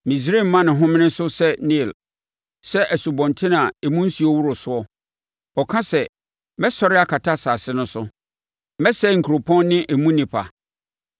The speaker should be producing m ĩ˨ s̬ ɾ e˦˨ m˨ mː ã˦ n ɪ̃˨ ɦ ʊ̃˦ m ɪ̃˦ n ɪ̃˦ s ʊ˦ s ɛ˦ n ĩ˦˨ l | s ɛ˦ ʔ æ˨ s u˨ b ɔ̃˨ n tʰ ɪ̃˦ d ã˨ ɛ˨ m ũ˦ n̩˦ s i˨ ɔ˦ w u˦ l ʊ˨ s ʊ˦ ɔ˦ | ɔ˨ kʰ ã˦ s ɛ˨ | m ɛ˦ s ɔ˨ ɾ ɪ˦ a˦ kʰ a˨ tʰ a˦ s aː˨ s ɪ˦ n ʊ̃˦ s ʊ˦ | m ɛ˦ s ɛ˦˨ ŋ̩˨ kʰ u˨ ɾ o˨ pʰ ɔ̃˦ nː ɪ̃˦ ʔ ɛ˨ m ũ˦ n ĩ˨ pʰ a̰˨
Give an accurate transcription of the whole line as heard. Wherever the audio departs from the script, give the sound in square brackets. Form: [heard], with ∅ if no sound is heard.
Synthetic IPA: m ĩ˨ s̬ ɾ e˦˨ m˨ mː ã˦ n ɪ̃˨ ɦ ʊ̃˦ m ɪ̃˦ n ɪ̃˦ s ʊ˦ s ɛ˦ n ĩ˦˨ l | s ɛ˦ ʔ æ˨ s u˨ b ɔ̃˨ n tʰ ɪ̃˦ [n] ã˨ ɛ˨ m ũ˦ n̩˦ s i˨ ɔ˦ w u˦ [ɾ] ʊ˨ s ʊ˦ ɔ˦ | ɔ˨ kʰ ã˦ s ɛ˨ | m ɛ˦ s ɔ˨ ɾ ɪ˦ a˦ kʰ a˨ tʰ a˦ s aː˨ s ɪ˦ n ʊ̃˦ s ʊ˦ | m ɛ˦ s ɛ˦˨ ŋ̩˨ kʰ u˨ ɾ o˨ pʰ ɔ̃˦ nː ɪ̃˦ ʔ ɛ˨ m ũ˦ n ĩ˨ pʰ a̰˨